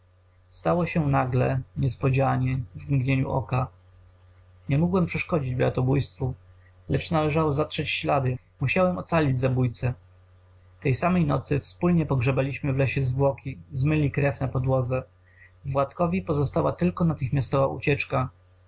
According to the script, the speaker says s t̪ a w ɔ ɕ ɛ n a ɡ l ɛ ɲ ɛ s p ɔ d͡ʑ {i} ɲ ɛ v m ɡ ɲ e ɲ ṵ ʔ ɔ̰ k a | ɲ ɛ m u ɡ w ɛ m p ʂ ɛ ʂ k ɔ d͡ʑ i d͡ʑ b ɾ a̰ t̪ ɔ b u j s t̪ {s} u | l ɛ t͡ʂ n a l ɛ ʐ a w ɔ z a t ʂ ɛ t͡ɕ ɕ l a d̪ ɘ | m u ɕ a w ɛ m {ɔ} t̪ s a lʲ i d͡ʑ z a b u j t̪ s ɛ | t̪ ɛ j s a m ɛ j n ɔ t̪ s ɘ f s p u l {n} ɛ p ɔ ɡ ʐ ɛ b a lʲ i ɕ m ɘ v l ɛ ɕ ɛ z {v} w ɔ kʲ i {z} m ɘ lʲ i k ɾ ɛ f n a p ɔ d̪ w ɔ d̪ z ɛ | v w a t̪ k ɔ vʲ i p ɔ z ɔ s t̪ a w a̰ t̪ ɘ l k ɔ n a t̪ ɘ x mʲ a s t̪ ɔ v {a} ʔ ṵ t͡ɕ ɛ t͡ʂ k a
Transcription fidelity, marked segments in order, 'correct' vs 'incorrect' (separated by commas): incorrect, incorrect, correct, incorrect, correct, correct, correct